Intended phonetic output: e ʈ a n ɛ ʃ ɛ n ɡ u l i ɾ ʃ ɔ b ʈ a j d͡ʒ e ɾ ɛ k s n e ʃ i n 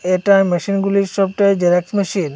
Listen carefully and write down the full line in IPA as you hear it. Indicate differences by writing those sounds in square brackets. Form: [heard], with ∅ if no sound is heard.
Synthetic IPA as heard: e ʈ a [m] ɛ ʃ [i] n ɡ u l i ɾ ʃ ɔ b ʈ a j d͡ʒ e ɾ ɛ k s [m] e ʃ i n